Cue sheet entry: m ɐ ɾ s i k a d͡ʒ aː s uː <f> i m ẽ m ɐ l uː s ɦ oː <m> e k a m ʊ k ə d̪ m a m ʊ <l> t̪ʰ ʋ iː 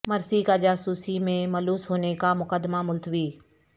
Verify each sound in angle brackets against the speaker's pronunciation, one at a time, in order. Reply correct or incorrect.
incorrect: s, incorrect: n, correct

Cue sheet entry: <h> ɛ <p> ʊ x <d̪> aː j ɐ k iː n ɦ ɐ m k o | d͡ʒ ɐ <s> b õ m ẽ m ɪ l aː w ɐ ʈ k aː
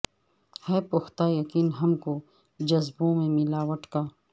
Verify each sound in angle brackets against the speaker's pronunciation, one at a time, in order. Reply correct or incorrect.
correct, correct, incorrect: t̪, incorrect: z

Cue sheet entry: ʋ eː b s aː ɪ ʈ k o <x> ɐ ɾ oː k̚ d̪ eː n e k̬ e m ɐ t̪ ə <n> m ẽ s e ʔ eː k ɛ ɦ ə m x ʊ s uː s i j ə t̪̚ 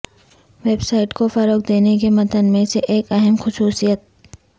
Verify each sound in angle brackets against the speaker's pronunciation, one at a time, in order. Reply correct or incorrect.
incorrect: f, correct

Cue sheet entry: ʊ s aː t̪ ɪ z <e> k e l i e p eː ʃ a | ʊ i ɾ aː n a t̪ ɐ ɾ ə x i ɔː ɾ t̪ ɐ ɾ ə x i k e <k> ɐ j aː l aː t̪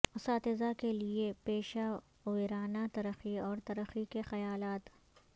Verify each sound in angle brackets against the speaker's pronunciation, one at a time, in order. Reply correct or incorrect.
incorrect: a, incorrect: x

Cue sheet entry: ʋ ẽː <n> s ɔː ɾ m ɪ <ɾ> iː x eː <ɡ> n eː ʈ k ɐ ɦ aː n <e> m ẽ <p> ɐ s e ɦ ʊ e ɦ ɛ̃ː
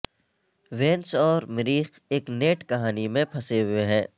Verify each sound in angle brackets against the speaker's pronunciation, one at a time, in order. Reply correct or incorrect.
correct, correct, incorrect: k, incorrect: i, incorrect: pʰ

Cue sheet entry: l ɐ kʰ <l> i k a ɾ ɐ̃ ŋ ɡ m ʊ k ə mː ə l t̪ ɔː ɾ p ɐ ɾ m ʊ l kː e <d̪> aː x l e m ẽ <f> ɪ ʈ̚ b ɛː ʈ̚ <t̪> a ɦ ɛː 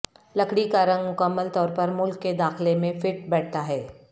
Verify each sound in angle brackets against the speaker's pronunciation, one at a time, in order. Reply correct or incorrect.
incorrect: ɽ, correct, correct, correct

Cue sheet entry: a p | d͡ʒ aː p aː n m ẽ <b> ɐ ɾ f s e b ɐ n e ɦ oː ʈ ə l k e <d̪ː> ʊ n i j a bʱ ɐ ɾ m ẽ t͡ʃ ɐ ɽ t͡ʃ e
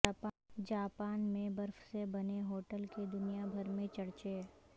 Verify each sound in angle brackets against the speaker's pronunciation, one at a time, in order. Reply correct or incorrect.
correct, incorrect: d̪

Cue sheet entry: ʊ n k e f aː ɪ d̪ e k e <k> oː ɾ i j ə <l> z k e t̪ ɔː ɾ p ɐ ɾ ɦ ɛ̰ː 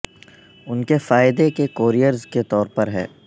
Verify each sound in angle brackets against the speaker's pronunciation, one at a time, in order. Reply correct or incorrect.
correct, incorrect: ɾ

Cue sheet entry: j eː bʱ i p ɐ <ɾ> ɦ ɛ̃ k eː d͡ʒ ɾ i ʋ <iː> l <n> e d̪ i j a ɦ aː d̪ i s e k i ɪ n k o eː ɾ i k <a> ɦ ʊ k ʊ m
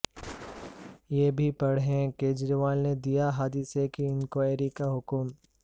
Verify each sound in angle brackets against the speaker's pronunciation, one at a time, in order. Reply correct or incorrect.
incorrect: ɽ, incorrect: aː, correct, correct

